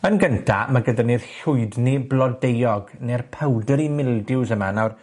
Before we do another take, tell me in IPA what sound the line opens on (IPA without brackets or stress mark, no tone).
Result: ə